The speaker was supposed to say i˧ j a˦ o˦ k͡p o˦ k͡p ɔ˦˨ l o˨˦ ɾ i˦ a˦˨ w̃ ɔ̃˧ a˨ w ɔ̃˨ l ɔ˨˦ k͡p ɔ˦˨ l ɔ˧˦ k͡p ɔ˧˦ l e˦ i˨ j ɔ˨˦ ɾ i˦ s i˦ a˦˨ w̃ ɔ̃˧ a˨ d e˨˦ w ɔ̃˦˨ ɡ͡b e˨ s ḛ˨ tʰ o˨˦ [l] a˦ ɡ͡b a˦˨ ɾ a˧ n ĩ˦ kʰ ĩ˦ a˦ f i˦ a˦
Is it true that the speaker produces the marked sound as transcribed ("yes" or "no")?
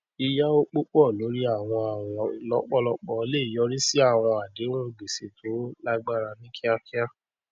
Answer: yes